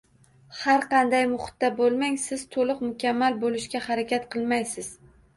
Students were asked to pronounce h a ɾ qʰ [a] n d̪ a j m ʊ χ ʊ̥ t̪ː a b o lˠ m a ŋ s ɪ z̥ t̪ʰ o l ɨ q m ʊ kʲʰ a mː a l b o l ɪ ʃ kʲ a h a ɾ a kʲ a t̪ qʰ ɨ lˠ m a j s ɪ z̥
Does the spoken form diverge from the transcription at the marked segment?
yes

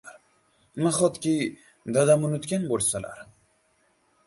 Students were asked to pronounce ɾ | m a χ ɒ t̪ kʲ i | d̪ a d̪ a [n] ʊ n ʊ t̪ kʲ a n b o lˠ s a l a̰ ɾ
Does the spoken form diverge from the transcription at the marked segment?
yes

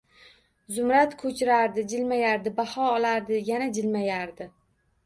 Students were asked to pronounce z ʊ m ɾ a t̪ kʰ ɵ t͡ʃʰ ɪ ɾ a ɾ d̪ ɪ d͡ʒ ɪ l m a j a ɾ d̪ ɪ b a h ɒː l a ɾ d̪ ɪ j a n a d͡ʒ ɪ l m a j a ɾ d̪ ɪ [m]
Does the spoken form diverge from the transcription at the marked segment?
yes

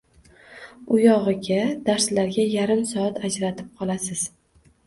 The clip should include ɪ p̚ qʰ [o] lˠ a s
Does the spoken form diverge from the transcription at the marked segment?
yes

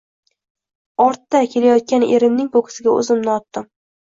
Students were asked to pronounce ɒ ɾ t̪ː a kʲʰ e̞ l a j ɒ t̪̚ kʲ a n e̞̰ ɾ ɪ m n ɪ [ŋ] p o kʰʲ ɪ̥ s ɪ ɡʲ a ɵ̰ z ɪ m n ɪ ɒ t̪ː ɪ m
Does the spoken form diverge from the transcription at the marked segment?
no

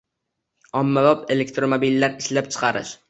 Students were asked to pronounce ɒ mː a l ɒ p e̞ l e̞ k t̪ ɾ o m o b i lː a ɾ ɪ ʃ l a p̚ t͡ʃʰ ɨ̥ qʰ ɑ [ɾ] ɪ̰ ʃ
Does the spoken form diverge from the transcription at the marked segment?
no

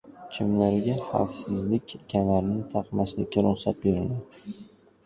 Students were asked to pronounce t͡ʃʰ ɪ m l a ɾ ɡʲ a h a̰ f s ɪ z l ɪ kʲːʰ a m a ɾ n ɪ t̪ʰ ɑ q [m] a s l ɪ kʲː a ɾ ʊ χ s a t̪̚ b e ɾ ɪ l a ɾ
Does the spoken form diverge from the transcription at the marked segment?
no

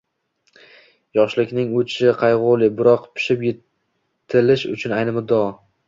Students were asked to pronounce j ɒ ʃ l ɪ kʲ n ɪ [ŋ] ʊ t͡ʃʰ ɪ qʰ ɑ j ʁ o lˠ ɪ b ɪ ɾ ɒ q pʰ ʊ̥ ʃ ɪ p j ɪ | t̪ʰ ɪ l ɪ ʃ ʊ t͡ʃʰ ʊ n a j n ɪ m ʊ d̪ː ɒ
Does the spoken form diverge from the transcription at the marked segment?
no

